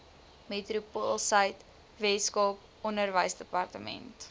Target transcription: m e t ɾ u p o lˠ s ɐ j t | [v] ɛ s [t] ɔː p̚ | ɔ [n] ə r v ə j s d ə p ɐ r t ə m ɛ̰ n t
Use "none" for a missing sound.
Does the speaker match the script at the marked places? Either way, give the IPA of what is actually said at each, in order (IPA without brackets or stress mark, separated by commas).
v, k, n